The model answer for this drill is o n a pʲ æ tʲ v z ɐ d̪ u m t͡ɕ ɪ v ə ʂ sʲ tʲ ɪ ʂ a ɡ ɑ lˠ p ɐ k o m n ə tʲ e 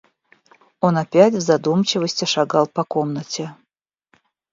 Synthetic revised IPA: o n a pʲ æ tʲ v z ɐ d̪ u m t͡ɕ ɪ v ə sʲ tʲ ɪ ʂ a ɡ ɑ lˠ p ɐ k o m n ə tʲ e